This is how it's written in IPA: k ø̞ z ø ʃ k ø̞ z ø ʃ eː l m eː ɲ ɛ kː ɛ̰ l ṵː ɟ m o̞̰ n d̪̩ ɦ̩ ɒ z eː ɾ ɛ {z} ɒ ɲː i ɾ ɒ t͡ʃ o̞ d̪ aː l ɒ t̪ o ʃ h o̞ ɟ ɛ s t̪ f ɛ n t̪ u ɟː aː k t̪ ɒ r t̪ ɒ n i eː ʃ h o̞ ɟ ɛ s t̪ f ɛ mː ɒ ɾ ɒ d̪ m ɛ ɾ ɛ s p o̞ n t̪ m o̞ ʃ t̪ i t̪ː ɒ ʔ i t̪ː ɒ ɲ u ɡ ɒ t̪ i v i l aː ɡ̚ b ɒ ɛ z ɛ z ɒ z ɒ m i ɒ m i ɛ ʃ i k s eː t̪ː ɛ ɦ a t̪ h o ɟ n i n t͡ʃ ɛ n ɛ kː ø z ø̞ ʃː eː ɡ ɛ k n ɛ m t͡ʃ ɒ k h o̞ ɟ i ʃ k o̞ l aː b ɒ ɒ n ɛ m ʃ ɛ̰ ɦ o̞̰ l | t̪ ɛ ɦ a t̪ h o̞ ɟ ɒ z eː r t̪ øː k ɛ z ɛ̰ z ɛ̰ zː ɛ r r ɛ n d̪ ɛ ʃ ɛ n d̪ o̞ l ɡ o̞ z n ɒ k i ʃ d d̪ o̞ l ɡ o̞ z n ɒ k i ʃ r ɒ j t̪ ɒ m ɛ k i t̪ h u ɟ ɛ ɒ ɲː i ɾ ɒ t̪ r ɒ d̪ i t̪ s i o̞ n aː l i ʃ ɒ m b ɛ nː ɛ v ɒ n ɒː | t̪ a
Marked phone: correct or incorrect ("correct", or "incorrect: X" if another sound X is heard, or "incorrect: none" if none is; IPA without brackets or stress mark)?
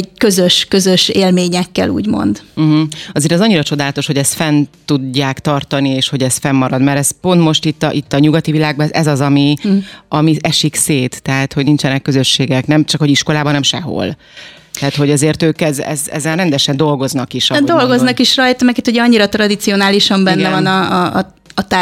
correct